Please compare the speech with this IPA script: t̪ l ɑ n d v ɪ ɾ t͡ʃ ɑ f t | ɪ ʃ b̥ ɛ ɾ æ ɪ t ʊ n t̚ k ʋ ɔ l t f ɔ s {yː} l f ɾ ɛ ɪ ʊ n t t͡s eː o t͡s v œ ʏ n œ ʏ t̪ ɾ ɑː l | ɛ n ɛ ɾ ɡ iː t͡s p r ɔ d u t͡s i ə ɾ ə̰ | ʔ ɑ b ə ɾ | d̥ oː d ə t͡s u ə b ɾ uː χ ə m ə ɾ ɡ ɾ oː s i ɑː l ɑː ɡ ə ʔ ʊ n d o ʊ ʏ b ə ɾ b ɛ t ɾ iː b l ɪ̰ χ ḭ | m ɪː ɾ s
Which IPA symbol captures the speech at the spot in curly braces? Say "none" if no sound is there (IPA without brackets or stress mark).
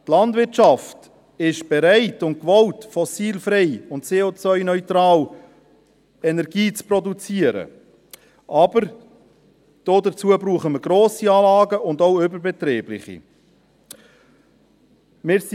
iː